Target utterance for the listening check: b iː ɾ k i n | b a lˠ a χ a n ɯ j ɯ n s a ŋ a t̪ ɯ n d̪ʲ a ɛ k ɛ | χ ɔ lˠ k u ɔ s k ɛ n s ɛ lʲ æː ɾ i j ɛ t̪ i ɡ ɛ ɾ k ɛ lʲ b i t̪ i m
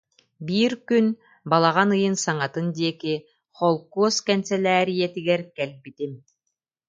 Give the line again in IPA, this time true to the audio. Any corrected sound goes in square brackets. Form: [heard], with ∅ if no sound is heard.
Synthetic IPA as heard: b iː ɾ k [y] n | b a lˠ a [ʁ] a n ɯ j ɯ n s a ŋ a t̪ ɯ n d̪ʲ [i] ɛ k [i] | χ ɔ lˠ k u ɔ s k ɛ n s ɛ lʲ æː ɾ i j ɛ t̪ i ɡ ɛ ɾ k ɛ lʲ b i t̪ i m